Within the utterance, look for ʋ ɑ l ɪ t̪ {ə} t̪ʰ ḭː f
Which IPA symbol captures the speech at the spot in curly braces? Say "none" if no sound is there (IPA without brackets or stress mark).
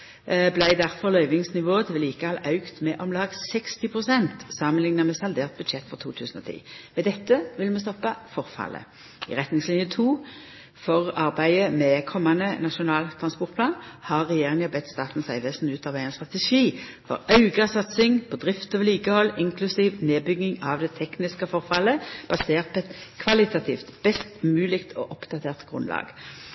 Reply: ɑ